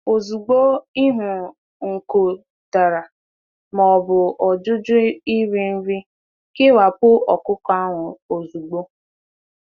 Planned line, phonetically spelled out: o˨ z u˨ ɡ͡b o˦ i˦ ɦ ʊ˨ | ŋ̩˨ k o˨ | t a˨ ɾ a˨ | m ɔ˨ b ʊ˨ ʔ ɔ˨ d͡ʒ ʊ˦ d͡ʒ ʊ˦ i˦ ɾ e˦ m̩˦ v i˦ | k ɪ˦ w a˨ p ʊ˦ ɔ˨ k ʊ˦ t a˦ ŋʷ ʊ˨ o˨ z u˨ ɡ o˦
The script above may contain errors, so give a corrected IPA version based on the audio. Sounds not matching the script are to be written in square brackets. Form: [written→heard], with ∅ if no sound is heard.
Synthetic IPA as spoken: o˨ z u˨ ɡ͡b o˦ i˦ ɦ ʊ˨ | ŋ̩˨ k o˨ | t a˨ ɾ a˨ | m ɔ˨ b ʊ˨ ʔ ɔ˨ d͡ʒ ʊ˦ d͡ʒ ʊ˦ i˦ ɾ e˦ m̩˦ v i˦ | k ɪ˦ w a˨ p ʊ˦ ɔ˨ k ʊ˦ [t→k] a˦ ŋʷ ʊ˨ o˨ z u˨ [ɡ→ɡ͡b] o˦